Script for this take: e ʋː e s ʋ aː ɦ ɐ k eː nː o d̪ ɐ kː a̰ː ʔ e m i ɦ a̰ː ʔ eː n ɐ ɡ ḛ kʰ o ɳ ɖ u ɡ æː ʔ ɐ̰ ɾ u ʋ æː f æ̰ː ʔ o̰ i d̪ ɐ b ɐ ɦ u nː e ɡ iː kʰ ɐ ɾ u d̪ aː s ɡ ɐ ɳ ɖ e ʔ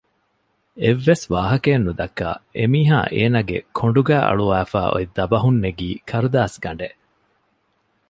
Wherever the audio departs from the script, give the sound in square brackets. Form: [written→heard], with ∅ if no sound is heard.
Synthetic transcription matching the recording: e ʋː e s ʋ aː ɦ ɐ k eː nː [o→u] d̪ ɐ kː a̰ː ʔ e m [i→iː] ɦ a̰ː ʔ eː n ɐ ɡ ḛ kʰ o ɳ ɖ u ɡ æː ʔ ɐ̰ [ɾ→ɭ] u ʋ æː f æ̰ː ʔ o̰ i d̪ ɐ b ɐ ɦ u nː e ɡ iː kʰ ɐ ɾ u d̪ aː s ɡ ɐ ɳ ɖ e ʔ